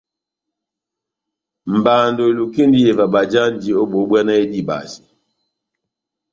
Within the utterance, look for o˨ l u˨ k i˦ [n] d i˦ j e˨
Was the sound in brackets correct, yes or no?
yes